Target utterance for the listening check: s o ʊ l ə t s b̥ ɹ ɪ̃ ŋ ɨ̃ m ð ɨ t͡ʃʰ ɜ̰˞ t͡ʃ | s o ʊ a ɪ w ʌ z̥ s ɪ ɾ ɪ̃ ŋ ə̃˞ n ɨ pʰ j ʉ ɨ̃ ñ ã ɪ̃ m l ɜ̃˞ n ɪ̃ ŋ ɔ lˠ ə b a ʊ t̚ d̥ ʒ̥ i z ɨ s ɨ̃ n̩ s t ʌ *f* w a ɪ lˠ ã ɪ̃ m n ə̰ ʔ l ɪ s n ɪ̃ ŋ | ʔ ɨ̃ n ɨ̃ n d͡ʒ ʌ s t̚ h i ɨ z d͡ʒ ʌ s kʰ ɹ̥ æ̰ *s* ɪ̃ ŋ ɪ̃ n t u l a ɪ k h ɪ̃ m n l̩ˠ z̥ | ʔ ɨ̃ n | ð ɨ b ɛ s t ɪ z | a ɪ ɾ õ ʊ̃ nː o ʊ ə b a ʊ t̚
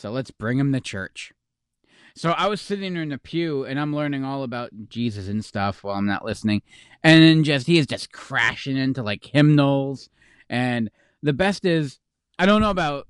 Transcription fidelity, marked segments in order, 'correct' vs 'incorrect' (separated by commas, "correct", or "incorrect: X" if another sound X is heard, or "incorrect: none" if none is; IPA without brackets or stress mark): correct, incorrect: ʃ